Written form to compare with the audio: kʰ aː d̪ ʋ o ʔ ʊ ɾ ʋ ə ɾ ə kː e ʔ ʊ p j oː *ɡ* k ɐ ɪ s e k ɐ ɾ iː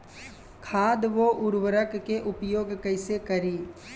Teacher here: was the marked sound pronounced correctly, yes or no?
yes